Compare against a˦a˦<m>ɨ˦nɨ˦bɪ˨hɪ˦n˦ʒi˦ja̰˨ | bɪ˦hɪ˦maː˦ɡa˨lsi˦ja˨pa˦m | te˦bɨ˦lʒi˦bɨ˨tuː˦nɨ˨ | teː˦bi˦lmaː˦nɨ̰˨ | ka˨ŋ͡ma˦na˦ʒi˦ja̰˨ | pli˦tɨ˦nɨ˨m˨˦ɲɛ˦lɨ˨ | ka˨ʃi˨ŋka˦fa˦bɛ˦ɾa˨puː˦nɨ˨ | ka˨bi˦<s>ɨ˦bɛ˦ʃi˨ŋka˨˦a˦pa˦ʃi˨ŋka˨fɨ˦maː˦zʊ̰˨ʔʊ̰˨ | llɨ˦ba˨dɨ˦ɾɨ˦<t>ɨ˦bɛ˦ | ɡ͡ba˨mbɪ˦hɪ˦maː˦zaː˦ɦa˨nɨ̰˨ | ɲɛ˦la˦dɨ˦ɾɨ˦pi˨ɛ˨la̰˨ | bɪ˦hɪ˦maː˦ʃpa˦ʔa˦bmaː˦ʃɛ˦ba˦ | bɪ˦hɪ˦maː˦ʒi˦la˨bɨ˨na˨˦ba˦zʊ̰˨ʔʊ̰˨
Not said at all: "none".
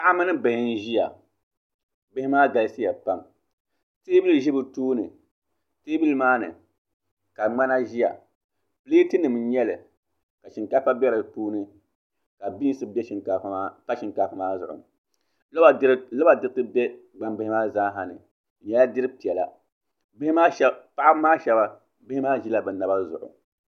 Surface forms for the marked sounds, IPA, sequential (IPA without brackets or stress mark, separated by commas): m, s, t